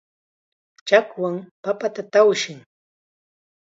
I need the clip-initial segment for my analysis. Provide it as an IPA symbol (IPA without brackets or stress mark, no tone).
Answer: t͡ʃ